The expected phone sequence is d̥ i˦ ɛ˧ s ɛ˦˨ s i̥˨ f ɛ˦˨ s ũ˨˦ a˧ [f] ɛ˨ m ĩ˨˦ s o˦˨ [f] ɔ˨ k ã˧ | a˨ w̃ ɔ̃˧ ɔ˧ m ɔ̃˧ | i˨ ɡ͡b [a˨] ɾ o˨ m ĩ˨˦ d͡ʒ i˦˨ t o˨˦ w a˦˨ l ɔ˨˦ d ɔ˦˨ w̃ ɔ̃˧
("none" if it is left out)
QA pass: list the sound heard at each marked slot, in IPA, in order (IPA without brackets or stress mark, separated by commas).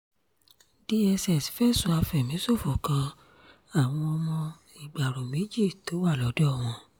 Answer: f, f, a˨